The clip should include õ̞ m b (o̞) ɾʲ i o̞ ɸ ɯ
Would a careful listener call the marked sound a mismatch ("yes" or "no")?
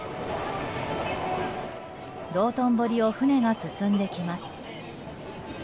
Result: no